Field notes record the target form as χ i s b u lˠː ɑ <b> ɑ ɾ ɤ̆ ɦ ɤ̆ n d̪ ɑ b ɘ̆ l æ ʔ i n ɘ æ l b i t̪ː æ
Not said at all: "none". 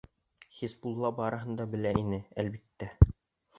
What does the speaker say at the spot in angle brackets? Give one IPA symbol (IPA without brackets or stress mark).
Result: b